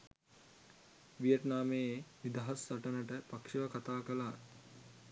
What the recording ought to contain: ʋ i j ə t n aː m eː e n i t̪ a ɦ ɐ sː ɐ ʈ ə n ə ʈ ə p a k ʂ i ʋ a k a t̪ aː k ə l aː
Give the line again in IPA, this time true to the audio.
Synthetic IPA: ʋ i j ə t n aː m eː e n i d̪ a ɦ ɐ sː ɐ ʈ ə n ə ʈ ə p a k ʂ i ʋ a k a t̪ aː k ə l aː